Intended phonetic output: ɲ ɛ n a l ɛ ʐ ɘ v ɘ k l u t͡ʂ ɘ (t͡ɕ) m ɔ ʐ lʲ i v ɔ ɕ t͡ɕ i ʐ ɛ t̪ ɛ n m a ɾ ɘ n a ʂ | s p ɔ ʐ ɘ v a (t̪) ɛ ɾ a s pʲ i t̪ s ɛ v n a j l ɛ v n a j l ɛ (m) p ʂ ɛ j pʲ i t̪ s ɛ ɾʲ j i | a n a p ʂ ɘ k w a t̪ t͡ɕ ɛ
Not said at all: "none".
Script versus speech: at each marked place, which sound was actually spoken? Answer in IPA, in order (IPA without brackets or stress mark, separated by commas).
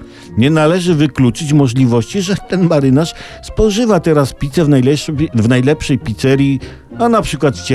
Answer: t͡ɕ, t̪, none